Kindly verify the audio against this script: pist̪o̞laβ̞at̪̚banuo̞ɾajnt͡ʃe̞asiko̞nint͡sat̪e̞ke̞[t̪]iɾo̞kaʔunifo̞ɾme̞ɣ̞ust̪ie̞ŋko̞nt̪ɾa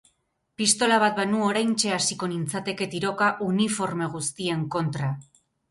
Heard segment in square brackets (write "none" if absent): t̪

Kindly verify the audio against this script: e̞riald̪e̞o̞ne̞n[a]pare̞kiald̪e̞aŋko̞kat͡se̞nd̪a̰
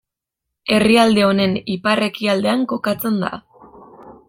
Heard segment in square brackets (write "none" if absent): i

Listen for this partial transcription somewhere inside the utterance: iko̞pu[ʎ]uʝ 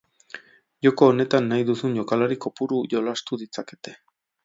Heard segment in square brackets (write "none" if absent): ɾ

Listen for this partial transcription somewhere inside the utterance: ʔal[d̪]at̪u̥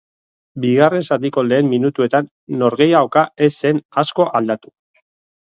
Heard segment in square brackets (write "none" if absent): d̪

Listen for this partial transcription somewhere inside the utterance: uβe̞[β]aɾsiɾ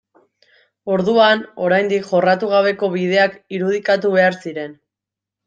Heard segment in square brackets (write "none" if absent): none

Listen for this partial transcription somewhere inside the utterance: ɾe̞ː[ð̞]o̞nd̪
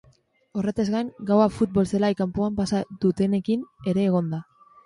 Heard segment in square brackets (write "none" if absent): ɣ̞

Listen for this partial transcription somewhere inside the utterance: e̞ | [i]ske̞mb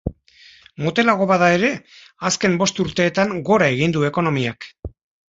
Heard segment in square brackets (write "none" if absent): a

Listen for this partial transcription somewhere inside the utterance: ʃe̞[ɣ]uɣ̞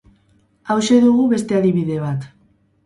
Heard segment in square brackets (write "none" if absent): ð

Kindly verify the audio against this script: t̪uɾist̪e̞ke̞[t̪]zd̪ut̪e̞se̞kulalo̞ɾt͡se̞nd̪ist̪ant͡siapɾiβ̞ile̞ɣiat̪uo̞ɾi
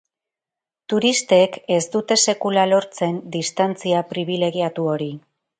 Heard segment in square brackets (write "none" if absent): none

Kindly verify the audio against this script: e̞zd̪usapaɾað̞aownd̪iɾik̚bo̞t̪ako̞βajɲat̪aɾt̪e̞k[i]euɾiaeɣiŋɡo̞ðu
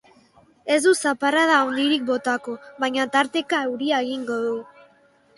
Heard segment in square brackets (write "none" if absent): a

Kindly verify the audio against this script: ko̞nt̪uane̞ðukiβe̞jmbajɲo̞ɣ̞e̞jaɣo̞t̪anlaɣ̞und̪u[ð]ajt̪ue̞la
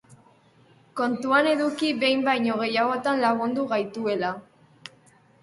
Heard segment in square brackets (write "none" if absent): ɣ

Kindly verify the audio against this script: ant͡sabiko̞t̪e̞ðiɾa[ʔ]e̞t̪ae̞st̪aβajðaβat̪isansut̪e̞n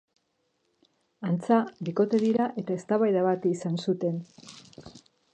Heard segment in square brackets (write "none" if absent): ʔ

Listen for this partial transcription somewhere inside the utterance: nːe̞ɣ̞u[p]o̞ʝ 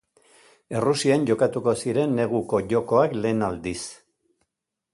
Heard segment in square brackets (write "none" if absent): k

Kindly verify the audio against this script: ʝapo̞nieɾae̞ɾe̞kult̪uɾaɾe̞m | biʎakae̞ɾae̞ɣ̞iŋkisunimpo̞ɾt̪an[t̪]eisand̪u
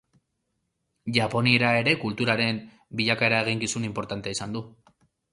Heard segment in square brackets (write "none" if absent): t̪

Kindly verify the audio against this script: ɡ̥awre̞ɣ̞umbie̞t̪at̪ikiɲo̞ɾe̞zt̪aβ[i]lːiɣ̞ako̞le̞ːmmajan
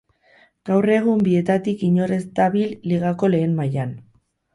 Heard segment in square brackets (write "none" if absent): i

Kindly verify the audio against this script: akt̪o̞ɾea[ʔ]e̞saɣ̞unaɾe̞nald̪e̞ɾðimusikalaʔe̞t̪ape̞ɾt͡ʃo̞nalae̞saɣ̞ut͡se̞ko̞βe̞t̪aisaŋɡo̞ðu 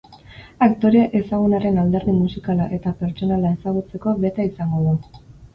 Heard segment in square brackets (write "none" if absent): ʔ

